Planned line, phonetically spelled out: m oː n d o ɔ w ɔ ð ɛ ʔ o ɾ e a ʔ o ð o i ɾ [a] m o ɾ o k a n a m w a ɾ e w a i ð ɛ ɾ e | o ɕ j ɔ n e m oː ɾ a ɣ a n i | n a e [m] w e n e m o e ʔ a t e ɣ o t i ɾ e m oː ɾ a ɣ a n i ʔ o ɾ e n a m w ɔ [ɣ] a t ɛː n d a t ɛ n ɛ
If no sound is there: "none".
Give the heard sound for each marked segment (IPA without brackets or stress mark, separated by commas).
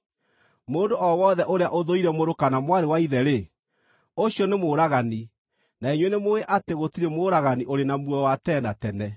ɛ, ɲ, w